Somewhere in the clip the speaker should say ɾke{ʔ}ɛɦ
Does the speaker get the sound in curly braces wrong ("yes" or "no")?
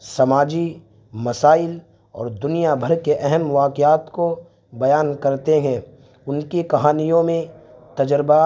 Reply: no